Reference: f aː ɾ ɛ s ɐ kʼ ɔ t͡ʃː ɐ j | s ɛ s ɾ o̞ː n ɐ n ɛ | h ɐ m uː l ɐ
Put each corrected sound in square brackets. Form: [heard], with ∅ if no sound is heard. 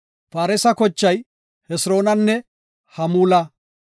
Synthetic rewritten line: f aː ɾ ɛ s ɐ [k] ɔ t͡ʃː ɐ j | [h] ɛ s ɾ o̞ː n ɐ [nː] ɛ | h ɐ m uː l ɐ